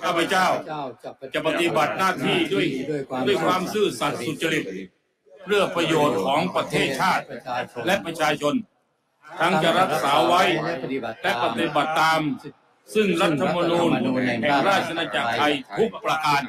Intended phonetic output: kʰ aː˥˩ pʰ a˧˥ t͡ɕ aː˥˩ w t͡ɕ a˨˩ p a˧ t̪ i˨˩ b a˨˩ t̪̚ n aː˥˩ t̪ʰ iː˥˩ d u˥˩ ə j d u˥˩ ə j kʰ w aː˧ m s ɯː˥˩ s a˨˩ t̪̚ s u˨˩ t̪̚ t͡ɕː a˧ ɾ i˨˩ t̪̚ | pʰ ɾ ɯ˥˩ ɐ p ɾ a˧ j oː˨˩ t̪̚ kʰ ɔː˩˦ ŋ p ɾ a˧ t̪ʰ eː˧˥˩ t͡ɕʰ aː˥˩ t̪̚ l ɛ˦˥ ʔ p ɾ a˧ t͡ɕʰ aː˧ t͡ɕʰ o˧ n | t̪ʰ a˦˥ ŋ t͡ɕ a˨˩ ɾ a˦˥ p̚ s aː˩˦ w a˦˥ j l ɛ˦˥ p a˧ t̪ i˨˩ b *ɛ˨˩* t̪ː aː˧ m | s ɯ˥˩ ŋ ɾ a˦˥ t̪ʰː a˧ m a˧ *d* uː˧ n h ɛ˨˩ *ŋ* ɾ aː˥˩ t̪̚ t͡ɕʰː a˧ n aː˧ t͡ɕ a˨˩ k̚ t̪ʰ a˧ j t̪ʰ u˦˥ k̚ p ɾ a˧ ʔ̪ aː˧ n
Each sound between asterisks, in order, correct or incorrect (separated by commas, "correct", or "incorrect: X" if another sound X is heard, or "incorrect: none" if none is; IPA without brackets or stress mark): incorrect: a˨˩, incorrect: n, correct